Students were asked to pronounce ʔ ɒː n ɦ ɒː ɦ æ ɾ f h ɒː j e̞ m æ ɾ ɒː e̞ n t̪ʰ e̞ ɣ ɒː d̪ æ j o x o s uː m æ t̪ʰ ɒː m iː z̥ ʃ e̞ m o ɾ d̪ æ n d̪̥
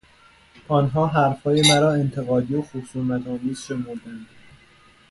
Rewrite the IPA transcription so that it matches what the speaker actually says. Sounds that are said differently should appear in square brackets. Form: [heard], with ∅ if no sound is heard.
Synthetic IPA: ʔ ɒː n ɦ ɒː ɦ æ ɾ f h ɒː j e̞ m æ ɾ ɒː e̞ n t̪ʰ e̞ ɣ ɒː d̪ [i] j o x o s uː m æ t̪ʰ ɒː m iː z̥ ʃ e̞ m o ɾ d̪ æ n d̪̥